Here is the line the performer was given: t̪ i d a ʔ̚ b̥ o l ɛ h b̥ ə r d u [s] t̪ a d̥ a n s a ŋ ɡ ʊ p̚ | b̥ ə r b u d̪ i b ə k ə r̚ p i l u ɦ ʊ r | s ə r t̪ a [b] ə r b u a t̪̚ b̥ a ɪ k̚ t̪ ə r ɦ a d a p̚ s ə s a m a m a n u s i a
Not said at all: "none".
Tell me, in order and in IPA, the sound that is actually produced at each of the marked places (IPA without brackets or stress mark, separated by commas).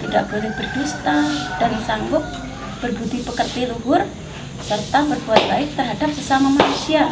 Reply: s, b